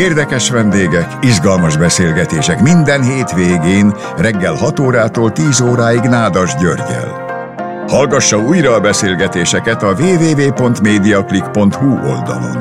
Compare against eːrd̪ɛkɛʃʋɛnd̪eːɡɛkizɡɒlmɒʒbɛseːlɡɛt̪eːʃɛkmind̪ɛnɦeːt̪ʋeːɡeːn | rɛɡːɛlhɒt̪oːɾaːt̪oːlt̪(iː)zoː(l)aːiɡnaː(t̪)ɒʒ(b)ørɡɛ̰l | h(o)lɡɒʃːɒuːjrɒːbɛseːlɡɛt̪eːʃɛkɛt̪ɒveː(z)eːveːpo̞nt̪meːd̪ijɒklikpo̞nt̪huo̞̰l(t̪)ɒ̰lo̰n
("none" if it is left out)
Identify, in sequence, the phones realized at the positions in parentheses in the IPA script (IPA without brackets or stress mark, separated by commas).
iː, ɾ, d̪, ɟ, ɒ, v, d̪